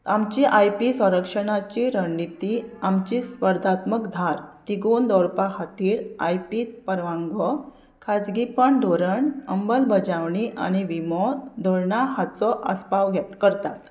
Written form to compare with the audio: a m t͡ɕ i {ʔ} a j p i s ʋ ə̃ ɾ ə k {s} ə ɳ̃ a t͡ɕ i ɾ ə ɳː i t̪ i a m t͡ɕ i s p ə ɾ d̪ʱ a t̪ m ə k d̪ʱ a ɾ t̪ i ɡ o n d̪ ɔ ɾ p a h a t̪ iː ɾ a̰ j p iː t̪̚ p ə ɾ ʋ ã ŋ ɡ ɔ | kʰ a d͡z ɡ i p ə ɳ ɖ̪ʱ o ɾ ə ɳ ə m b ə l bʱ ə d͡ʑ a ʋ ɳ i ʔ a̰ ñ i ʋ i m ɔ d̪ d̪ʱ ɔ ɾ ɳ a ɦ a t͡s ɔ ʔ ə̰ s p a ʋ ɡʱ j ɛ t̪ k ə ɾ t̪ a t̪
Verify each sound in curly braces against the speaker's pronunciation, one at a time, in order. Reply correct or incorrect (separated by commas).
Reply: correct, incorrect